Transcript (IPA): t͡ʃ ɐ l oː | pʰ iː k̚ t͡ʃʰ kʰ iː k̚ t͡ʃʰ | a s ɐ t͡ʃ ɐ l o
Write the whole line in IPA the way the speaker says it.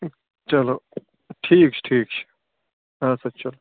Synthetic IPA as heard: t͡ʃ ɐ l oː | ʈʰ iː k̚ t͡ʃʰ ʈʰ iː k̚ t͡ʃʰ | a s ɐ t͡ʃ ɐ l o